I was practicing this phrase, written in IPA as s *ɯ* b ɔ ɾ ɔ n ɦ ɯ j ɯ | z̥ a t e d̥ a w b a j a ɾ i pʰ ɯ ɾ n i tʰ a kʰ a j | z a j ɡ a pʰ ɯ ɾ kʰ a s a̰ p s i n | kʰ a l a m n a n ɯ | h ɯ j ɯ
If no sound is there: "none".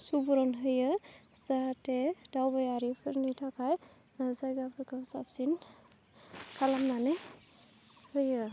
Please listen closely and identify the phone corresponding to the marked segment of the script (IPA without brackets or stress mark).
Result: u